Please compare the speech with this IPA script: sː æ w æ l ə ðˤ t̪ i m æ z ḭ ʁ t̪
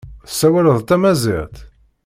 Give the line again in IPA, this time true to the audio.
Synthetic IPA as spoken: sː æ w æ l ə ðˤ t̪ æ m æ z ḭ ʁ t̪